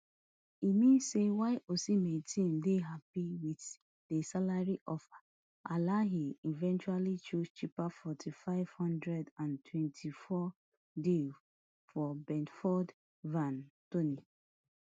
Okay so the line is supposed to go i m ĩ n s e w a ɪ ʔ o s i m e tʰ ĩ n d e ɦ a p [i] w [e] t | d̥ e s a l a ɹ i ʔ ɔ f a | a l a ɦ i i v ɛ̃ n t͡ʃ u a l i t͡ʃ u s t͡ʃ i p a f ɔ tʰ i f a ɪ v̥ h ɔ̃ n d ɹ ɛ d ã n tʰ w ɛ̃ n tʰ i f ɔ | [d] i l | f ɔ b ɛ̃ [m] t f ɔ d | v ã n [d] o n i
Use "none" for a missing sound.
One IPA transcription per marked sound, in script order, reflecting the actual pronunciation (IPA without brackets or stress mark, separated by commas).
i, i, d, n, t